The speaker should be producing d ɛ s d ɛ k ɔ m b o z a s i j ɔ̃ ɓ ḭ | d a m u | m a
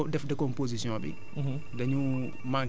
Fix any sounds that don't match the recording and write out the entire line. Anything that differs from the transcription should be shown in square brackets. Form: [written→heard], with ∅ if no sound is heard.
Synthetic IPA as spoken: d ɛ [s→f] d ɛ k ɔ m [b→p] o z [a→i] s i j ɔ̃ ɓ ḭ | d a [m→ɲ] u | m a